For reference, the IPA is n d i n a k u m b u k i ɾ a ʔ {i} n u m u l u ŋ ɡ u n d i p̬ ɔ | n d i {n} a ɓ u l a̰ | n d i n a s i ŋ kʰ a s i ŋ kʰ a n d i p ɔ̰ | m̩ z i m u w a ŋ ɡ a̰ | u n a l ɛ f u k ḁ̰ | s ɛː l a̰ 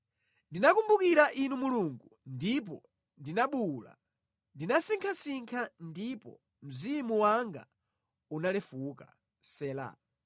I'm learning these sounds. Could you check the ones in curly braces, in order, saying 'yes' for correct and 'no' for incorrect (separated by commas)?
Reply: yes, yes